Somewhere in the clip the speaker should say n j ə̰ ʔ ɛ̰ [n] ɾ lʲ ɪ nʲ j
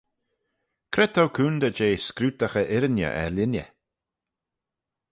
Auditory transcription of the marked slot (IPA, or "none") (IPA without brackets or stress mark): none